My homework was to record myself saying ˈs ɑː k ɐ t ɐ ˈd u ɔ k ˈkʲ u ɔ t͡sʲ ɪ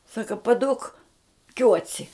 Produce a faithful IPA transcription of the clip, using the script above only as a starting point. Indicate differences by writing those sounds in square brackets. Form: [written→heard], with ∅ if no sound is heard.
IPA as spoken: ˈs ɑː k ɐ [t→p] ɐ ˈd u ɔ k ˈkʲ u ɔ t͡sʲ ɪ